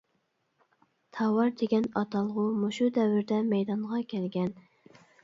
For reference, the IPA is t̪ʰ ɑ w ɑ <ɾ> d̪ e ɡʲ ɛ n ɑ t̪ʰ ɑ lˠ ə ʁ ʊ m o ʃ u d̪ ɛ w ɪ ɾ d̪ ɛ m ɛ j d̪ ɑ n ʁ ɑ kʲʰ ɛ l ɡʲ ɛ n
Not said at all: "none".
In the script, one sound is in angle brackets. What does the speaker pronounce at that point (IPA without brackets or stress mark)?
ɾ